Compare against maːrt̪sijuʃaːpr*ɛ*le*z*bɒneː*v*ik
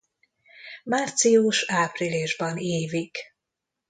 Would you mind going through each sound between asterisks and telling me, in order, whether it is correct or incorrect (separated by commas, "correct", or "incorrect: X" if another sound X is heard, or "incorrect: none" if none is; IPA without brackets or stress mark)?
incorrect: i, incorrect: ʒ, correct